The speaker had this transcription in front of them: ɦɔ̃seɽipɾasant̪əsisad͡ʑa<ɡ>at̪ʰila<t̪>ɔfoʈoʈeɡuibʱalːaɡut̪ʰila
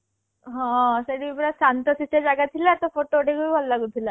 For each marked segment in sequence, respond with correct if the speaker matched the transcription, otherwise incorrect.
correct, correct

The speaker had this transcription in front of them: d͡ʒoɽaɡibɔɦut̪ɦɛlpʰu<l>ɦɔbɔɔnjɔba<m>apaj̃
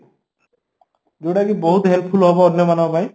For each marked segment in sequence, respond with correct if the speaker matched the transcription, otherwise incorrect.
correct, incorrect

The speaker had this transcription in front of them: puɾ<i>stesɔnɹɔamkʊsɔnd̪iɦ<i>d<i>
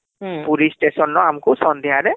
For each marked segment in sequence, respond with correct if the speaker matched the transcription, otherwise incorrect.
correct, incorrect, incorrect

